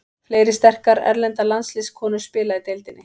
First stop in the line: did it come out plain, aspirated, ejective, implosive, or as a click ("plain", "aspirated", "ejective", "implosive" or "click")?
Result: plain